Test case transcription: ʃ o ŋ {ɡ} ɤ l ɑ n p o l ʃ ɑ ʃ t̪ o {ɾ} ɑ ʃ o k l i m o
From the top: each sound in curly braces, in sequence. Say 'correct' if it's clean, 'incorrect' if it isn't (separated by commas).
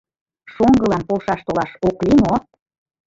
correct, incorrect